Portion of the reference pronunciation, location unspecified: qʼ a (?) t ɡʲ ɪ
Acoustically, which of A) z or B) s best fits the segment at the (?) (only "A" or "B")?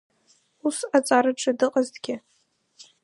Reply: A